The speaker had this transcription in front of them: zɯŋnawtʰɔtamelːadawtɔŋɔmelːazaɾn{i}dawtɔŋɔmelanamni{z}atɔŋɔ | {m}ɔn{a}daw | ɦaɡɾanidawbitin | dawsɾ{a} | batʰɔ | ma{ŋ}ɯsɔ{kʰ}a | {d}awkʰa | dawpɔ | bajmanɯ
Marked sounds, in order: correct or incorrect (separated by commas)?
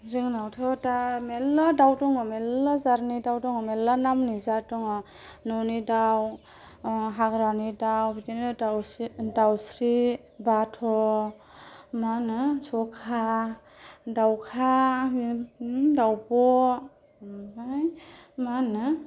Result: correct, correct, incorrect, incorrect, incorrect, incorrect, correct, correct